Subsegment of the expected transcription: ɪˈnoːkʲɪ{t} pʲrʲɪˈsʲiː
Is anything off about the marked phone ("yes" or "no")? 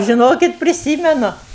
no